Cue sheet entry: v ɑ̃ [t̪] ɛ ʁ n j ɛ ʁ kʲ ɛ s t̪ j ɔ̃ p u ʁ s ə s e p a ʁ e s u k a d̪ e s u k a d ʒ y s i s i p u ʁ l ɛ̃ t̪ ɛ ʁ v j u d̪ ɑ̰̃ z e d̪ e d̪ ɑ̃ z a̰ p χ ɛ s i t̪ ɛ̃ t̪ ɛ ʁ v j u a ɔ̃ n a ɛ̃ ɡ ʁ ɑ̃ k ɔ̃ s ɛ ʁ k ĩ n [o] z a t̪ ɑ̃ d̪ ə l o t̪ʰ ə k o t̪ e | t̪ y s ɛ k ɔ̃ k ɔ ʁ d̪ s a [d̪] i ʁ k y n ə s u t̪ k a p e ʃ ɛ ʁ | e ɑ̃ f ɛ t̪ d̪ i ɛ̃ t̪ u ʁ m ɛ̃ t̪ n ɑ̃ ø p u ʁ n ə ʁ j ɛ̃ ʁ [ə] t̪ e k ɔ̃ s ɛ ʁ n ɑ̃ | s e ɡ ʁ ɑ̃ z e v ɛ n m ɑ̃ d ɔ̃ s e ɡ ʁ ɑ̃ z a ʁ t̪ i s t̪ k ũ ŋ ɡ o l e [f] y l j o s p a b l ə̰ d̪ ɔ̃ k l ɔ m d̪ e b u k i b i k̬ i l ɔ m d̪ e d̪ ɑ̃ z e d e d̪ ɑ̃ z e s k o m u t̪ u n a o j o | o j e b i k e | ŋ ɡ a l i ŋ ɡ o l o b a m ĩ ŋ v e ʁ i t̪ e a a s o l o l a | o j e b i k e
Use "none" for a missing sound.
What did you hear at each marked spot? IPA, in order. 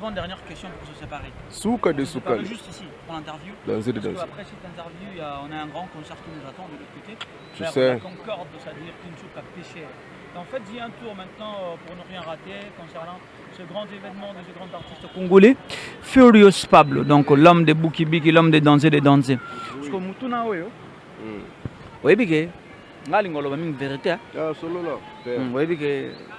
d̪, u, d̪, a, f

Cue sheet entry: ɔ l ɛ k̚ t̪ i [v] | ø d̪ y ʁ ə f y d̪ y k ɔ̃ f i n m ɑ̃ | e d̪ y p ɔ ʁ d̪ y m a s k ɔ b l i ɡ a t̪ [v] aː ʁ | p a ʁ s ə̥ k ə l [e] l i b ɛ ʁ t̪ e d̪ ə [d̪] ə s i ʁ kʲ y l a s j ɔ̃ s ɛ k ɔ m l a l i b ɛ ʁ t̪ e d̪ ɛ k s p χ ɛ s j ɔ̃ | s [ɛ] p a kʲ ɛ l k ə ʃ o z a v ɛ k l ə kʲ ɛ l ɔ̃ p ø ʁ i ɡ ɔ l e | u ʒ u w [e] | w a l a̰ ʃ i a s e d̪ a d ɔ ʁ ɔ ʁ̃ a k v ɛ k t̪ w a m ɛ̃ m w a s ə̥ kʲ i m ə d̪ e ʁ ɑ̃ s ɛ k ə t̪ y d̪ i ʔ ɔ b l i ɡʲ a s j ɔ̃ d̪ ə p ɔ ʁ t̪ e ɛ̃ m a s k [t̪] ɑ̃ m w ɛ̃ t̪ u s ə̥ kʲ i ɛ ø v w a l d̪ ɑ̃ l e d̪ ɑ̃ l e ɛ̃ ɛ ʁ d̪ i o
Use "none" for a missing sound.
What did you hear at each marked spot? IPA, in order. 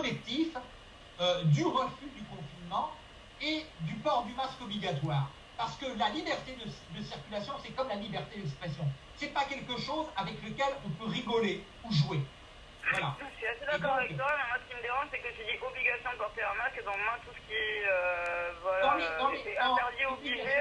f, w, a, d̪, ɛ, e, d̪

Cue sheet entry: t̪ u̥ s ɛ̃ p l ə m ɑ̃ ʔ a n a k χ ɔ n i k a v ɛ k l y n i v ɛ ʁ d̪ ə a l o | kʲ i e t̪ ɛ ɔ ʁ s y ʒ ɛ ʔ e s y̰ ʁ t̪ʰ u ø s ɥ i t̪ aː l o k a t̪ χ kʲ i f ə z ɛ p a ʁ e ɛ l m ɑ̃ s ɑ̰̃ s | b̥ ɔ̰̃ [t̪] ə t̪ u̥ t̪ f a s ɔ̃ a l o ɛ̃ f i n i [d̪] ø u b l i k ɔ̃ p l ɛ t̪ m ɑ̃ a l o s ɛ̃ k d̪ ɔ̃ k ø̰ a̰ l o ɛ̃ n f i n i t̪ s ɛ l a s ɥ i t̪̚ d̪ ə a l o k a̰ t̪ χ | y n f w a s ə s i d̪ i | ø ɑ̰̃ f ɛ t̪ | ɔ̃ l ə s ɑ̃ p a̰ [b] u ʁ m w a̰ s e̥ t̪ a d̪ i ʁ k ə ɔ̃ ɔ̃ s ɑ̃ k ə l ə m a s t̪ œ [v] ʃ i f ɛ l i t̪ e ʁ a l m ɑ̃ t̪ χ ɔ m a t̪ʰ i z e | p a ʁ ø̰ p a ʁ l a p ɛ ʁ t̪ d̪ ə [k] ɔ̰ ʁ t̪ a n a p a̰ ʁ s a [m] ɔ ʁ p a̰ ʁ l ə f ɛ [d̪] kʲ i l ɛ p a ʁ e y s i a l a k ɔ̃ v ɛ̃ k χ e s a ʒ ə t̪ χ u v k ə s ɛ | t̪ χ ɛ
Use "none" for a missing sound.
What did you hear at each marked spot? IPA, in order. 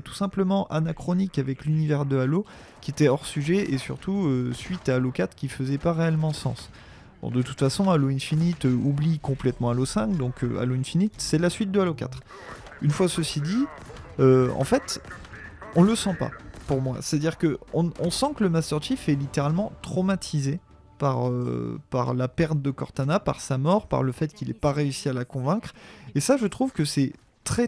d̪, t̪, p, ʁ, k, m, t̪

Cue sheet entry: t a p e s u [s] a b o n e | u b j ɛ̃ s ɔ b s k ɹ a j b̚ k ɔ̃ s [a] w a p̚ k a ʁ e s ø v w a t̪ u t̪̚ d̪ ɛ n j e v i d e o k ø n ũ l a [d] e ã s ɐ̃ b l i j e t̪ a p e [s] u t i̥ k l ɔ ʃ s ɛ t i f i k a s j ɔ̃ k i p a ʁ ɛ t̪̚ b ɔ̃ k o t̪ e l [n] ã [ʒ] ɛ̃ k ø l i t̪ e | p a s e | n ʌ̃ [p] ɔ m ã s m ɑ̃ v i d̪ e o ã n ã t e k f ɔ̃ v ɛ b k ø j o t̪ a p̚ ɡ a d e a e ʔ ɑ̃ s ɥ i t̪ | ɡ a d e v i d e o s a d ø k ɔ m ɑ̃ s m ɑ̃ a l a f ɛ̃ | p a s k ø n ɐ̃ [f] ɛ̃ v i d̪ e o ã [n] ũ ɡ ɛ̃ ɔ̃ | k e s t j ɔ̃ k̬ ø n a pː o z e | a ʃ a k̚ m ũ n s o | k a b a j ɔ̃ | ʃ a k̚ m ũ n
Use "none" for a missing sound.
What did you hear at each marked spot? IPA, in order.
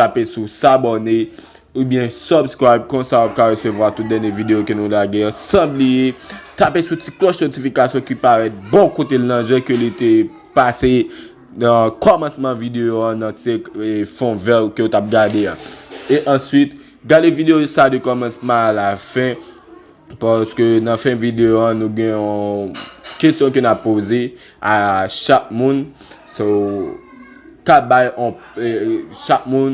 s, a, ɡ, s, n, ʒ, k, f, n

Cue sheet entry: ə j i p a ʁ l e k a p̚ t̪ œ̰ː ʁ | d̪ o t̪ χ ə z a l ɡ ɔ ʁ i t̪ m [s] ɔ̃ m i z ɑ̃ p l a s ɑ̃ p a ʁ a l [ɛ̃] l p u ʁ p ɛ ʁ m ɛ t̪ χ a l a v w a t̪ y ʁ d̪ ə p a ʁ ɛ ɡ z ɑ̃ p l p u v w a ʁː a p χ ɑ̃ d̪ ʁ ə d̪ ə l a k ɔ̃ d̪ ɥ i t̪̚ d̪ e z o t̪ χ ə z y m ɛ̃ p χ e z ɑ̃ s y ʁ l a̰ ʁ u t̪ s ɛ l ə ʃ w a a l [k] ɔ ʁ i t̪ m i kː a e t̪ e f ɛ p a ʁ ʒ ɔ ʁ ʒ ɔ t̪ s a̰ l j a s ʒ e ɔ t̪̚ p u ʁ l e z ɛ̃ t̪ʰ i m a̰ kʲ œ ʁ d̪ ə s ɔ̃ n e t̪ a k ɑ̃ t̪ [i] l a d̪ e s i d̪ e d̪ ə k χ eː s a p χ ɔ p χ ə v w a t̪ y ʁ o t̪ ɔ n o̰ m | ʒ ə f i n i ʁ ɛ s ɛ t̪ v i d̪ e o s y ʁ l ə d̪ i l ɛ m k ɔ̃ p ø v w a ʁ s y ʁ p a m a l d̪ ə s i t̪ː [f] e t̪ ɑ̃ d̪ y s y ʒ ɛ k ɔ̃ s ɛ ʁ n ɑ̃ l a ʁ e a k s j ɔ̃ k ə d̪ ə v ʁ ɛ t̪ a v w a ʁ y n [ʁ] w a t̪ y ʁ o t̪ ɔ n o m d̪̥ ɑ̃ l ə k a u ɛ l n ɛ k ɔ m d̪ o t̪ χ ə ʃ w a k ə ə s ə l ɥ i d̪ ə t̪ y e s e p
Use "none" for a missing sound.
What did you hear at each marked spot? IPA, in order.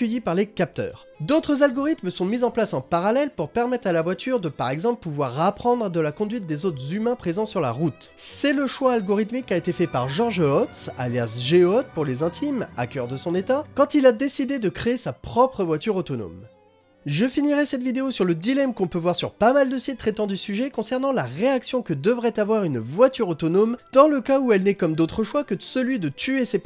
s, ɛ, ɡ, i, χ, v

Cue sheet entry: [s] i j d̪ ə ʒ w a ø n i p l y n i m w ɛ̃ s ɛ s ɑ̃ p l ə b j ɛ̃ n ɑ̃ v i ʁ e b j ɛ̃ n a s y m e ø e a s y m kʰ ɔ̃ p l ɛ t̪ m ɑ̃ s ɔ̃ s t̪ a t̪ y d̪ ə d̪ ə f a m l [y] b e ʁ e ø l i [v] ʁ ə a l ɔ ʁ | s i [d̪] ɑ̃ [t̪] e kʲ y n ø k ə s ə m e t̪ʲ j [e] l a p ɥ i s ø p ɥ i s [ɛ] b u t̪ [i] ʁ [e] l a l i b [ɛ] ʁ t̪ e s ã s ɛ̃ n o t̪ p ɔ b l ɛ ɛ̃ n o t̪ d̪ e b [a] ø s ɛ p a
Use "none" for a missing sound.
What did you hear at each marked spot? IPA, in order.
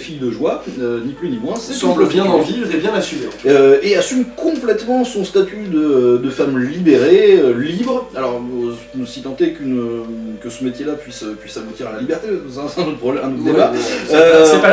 f, i, b, t̪, t̪, e, a, i, a, ɛ, a

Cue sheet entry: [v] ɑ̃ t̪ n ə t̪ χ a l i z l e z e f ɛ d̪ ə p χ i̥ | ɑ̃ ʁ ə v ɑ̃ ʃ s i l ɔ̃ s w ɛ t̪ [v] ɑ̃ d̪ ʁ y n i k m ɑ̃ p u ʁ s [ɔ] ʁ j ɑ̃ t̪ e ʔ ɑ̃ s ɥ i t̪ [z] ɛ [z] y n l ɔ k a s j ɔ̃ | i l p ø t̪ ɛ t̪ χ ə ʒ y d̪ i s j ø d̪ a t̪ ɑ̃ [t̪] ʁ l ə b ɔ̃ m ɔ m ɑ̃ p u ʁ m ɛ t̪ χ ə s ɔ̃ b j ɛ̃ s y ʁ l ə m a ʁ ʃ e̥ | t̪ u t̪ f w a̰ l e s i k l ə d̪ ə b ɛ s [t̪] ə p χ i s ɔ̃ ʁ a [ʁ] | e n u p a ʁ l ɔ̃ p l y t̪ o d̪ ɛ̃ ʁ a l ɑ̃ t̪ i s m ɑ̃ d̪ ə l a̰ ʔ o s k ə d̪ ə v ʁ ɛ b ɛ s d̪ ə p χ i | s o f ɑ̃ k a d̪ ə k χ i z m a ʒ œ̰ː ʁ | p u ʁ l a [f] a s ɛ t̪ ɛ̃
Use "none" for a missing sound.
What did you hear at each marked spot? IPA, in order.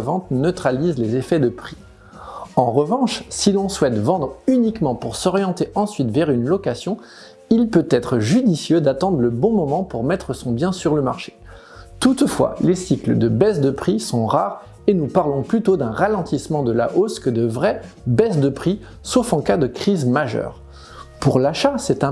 v, v, ɔ, v, ʁ, d̪, d̪, ʁ, ʃ

